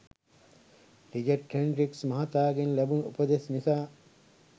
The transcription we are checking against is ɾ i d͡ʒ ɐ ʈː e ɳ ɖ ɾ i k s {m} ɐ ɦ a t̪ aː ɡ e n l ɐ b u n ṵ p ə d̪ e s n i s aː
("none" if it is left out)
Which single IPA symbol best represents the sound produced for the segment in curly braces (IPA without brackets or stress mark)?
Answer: m